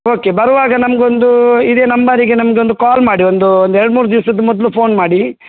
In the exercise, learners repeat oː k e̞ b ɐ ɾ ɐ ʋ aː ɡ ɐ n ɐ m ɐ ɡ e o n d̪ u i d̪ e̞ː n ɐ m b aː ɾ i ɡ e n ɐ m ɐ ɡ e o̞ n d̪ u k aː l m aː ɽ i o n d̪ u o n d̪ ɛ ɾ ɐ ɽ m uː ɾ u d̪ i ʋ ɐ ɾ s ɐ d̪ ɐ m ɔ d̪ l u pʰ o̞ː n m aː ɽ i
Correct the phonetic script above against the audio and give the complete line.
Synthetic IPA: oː k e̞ b ɐ ɾ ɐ ʋ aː ɡ ɐ n ɐ m ɐ ɡ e o n d̪ u i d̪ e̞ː n ɐ m b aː ɾ i ɡ e n ɐ m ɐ ɡ e o̞ n d̪ u k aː l m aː ɽ i o n d̪ u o n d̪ ɛ ɾ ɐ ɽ m uː ɾ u d̪ i ʋ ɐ s ɐ d̪ ɐ m ɔ d̪ l u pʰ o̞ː n m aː ɽ i